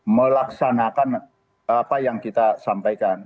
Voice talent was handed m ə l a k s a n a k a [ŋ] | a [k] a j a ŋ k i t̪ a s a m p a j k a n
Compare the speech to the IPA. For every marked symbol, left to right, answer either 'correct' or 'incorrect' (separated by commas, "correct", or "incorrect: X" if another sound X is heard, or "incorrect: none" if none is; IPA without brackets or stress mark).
incorrect: n, incorrect: p